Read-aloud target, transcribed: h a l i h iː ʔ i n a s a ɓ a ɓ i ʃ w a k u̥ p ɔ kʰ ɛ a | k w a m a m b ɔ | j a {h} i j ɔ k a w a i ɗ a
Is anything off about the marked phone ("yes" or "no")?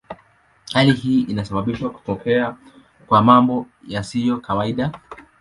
yes